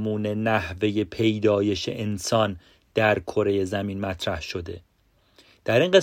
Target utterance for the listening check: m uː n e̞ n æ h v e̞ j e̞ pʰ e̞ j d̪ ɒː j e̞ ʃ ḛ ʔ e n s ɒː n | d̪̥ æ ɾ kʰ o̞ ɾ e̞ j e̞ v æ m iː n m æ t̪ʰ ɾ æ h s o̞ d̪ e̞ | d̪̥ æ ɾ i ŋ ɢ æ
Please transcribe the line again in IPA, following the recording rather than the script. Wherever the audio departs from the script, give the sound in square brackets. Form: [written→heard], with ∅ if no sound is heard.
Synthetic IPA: m uː n e̞ n æ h v e̞ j e̞ pʰ e̞ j d̪ ɒː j e̞ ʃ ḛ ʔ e n s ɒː n | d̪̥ æ ɾ kʰ o̞ ɾ e̞ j e̞ [v→z] æ m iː n m æ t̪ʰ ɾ æ h [s→ʃ] o̞ d̪ e̞ | d̪̥ æ ɾ i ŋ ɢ [æ→e]